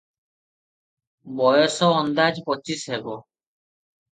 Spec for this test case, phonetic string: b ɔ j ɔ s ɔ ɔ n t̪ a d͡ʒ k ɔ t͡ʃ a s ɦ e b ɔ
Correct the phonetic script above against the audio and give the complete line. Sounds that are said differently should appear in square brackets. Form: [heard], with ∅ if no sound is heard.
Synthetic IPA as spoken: b ɔ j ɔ s ɔ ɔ n [d̪] a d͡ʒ [p] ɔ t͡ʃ [i] s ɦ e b ɔ